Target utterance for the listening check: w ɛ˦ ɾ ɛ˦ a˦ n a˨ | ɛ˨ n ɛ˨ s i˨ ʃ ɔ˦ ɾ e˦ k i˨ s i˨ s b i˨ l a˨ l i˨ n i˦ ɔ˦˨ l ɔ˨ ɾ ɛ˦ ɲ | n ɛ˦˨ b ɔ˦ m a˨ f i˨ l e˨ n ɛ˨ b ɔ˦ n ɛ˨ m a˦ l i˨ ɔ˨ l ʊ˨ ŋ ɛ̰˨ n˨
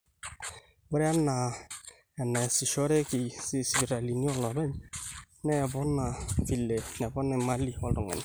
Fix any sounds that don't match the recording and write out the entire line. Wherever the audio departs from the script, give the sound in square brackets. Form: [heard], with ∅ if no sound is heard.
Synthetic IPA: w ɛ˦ ɾ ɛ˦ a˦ n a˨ | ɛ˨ n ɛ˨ s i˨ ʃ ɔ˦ ɾ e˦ k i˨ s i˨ s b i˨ [ɾ] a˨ l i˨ n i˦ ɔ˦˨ l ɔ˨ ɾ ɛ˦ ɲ | n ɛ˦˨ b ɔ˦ [n] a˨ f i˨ l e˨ n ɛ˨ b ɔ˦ n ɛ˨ m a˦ l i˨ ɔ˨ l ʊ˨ ŋ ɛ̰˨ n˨

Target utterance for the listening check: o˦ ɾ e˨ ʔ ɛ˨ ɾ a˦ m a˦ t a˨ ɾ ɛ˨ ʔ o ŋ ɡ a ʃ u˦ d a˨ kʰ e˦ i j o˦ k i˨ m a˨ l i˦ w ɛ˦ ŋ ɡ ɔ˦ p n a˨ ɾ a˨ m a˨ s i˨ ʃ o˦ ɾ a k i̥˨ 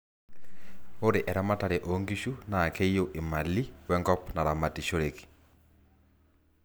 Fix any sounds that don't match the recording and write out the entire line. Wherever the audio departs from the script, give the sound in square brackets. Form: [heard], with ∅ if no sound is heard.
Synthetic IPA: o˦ ɾ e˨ ʔ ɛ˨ ɾ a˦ m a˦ t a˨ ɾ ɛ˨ ʔ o ŋ ɡ [i] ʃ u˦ [n] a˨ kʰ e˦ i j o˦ [ʔ] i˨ m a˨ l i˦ w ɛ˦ ŋ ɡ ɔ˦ p n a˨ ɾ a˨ m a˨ [t] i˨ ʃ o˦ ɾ [e] k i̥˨

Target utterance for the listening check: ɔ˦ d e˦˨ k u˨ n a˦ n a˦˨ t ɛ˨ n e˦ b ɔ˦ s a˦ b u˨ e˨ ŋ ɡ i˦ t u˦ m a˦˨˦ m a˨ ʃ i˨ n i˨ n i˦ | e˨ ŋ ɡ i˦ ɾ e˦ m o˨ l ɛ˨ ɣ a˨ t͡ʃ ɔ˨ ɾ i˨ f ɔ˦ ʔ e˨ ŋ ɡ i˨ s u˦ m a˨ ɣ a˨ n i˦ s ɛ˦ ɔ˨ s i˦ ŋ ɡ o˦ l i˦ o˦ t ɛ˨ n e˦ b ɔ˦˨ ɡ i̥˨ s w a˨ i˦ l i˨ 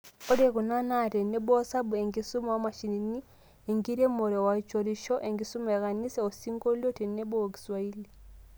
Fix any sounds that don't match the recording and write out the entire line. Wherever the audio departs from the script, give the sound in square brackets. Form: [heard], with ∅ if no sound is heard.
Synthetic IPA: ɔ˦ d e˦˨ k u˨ n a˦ n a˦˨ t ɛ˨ n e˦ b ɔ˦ s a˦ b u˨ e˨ ŋ ɡ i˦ [s] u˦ m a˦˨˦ m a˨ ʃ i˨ n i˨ n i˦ | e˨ ŋ ɡ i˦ ɾ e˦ m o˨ [ɾ] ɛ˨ [w] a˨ t͡ʃ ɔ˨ ɾ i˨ [ʃ] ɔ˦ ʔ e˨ ŋ ɡ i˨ s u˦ m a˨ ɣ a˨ n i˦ s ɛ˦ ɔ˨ s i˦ ŋ ɡ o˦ l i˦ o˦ t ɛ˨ n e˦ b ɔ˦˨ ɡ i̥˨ s w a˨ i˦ l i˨

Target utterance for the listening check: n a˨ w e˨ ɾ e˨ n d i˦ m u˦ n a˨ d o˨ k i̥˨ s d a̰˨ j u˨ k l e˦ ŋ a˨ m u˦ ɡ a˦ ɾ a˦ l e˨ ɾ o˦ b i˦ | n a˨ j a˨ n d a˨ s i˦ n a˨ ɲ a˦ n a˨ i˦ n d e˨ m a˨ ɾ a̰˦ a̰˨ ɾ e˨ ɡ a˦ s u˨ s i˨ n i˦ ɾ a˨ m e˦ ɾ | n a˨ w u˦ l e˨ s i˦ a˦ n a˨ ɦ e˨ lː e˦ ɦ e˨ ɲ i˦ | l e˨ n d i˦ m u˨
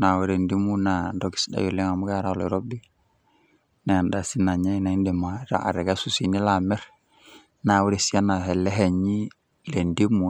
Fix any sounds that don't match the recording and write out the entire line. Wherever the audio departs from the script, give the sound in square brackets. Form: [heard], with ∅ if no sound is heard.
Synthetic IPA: n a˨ w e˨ ɾ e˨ n d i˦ m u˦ n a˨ d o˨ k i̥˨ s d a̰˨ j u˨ [∅] l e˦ ŋ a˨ m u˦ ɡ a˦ ɾ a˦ l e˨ ɾ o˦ b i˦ | n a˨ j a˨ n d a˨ s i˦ n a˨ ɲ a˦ n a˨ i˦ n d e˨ m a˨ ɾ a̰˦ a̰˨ ɾ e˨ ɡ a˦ s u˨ s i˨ n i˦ [l] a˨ m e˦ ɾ | n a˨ w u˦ [ɾ] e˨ s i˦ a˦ n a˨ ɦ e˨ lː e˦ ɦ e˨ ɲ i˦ | l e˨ n d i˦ m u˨

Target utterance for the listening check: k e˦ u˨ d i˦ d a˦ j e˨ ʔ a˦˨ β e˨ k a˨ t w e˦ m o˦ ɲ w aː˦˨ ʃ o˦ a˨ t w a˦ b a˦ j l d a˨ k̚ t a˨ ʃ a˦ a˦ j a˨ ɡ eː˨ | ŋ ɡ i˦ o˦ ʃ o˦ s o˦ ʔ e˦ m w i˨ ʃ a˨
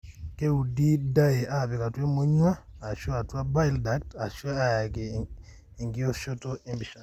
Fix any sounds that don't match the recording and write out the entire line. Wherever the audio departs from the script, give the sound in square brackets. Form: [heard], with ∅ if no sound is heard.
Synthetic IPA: k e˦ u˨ d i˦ d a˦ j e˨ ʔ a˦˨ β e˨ k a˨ t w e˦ m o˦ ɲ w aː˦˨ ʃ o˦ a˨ t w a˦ b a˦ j l d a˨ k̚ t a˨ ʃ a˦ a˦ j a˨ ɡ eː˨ | ŋ ɡ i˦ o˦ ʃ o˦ [t] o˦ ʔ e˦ m [b] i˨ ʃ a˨

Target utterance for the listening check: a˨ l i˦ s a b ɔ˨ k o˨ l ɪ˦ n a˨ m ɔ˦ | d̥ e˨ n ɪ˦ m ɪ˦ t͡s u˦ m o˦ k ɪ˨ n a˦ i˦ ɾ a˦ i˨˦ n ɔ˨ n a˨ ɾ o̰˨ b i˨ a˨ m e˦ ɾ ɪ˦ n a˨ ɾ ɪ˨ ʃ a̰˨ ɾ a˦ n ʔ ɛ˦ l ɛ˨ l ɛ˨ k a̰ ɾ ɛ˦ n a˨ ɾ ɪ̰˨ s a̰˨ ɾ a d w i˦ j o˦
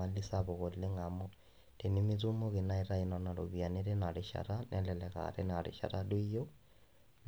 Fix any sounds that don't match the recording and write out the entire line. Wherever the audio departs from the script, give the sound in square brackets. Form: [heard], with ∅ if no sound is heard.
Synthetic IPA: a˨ l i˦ s a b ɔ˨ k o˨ l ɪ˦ [ŋ] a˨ m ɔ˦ | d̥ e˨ n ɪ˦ m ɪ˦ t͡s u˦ m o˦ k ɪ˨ n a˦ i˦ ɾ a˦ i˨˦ n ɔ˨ n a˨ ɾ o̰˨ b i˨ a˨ [n] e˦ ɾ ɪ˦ n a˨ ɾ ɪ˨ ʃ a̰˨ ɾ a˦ n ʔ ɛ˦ l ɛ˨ l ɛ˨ k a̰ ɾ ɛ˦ n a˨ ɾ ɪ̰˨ [ʃ] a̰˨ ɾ a d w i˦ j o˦

